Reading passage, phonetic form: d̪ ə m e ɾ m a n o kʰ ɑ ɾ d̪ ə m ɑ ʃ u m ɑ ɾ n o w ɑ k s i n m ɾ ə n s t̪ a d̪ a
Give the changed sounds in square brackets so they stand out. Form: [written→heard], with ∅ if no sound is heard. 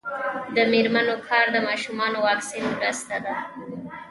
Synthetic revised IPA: d̪ ə m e ɾ m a n o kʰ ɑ ɾ d̪ ə m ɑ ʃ u m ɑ [ɾ→∅] n o w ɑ k s i n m ɾ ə [n→∅] s t̪ a d̪ a